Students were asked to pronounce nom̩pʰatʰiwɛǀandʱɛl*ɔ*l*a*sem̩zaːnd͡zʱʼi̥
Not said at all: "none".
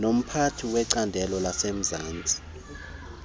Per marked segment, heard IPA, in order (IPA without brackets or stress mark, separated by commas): ɔ, a